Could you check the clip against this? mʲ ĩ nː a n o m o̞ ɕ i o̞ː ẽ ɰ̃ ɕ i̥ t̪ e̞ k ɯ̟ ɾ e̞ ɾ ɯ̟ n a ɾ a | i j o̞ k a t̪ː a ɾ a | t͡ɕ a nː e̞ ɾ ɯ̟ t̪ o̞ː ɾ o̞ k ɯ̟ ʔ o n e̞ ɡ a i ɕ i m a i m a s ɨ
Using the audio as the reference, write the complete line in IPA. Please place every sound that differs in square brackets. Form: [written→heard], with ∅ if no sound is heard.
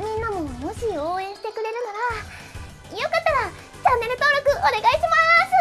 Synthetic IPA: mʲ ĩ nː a [n→m] o m o̞ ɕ i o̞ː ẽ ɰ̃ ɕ i̥ t̪ e̞ k ɯ̟ ɾ e̞ ɾ ɯ̟ n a ɾ a | i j o̞ k a t̪ː a ɾ a | t͡ɕ a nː e̞ ɾ ɯ̟ t̪ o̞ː ɾ o̞ k ɯ̟ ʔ o n e̞ ɡ a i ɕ i m a i m a s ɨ